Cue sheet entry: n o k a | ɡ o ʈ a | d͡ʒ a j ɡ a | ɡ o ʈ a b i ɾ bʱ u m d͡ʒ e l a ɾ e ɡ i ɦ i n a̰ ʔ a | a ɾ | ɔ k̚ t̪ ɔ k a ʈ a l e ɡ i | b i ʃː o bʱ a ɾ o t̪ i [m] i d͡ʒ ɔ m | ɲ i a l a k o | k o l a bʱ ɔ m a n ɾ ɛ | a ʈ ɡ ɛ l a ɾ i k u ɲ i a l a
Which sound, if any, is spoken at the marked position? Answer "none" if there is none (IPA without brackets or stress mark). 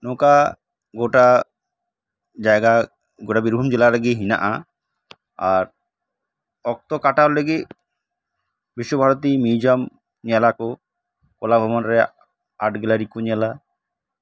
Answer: m